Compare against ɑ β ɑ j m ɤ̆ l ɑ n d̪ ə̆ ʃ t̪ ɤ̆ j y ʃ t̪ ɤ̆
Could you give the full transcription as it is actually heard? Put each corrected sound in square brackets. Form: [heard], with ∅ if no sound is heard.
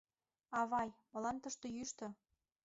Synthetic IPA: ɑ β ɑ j m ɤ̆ l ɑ n [t̪] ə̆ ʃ t̪ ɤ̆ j y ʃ t̪ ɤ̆